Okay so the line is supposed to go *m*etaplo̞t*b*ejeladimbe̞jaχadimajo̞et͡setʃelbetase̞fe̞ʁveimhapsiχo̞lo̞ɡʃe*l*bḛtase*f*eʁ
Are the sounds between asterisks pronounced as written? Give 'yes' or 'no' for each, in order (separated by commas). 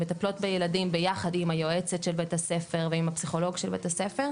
yes, yes, yes, yes